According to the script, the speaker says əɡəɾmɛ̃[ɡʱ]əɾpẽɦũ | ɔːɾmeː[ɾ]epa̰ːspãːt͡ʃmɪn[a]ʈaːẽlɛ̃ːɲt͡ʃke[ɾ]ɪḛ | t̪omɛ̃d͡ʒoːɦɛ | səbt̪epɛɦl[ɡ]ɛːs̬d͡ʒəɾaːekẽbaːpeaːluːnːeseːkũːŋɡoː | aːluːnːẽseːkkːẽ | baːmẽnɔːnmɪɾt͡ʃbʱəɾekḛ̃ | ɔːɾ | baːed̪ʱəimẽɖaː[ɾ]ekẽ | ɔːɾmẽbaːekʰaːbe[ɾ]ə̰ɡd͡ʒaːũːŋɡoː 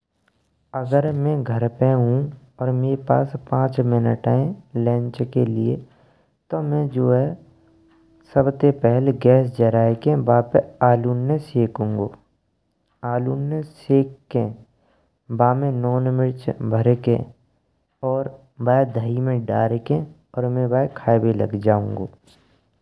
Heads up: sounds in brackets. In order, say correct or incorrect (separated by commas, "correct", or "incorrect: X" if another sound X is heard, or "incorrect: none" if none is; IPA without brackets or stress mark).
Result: correct, correct, incorrect: ə, incorrect: l, correct, correct, incorrect: l